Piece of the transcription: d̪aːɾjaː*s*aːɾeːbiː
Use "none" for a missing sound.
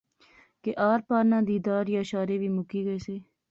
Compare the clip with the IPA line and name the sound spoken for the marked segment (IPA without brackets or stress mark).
ʃ